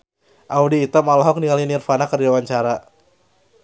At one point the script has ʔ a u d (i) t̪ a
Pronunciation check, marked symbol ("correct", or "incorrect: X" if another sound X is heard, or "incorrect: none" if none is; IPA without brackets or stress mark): incorrect: iː